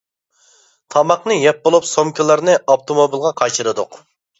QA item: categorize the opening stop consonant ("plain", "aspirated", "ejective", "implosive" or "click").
aspirated